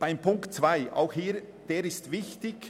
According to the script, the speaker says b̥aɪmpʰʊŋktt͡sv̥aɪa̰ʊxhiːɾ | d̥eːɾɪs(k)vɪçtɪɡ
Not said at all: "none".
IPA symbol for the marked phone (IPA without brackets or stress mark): t